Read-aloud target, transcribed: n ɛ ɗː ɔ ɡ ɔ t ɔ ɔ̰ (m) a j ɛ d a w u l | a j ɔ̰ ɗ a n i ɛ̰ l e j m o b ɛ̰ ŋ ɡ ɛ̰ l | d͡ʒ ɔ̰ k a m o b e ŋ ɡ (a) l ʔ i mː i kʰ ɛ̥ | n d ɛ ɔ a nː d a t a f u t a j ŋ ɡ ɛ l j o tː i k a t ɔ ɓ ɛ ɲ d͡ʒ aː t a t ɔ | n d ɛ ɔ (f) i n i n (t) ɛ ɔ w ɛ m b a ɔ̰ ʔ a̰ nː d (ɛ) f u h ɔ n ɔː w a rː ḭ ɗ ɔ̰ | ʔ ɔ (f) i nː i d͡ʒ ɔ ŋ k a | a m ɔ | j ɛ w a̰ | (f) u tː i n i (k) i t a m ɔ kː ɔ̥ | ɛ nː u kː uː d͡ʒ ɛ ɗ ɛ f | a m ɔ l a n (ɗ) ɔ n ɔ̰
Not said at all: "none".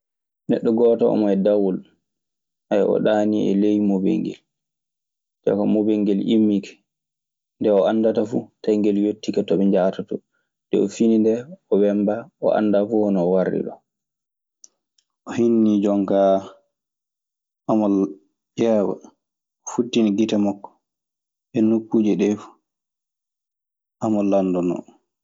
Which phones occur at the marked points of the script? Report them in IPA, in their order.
m, ɛ, f, d, a, h, f, ɡ, d

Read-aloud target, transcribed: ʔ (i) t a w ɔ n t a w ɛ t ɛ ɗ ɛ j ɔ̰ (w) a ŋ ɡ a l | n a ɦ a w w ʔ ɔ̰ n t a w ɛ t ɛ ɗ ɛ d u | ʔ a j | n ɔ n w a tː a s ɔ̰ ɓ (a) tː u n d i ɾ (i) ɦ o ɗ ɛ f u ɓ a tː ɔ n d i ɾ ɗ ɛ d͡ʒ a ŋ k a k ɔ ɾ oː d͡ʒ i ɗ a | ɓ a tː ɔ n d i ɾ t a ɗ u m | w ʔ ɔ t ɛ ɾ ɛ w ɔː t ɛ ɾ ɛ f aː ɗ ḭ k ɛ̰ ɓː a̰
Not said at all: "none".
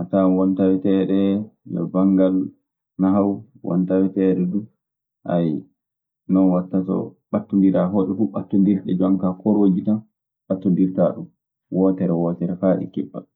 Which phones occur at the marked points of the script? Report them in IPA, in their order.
a, b, a, a

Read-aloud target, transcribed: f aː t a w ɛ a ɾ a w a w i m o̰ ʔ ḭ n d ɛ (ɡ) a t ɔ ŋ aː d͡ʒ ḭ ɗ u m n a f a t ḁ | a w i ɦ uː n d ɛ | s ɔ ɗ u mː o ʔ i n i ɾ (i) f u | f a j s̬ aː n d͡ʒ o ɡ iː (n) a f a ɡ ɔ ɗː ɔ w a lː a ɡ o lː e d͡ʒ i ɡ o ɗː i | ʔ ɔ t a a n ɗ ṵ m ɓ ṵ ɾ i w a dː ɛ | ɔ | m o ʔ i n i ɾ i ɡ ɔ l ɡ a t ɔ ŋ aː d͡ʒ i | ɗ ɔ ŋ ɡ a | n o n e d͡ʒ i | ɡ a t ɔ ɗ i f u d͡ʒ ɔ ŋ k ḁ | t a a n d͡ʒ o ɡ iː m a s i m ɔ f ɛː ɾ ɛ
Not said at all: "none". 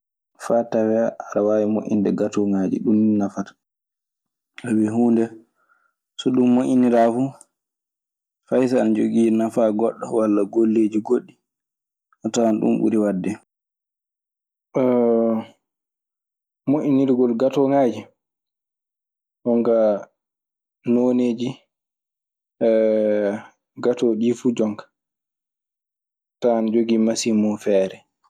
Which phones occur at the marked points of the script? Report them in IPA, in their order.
ɡ, a, n

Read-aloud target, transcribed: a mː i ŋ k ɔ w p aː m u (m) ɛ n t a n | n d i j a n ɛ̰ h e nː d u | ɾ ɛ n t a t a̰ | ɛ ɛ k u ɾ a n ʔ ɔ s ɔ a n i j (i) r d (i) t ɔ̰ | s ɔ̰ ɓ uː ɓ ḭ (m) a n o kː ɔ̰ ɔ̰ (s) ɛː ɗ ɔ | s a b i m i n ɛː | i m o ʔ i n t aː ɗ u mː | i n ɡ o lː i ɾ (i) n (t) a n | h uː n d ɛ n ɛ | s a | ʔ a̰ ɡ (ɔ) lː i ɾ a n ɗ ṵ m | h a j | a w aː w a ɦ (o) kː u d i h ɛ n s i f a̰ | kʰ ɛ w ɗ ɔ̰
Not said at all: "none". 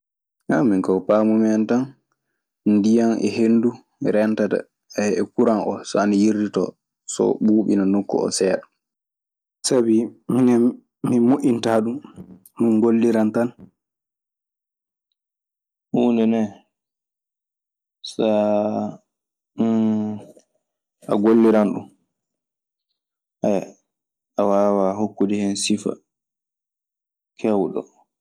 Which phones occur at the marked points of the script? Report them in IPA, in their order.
m, i, i, n, s, a, t, o, o

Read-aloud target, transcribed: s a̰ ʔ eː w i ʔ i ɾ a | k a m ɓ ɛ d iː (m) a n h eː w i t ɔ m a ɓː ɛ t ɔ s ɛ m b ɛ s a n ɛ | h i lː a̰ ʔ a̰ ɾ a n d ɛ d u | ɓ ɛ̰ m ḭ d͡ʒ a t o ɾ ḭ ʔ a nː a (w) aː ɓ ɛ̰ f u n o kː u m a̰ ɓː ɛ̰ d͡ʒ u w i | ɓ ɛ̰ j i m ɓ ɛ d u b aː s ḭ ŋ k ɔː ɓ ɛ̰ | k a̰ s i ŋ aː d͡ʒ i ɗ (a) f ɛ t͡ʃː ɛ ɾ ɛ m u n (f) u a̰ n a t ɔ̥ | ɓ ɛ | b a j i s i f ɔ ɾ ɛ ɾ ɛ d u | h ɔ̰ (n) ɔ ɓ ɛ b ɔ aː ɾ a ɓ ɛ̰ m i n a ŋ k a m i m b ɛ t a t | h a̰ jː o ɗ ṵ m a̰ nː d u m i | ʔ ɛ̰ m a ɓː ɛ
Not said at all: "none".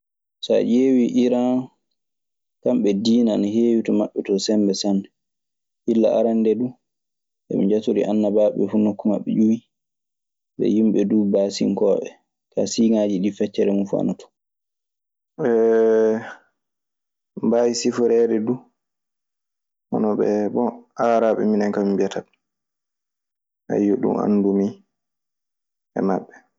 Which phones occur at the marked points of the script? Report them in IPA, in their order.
n, b, i, f, n

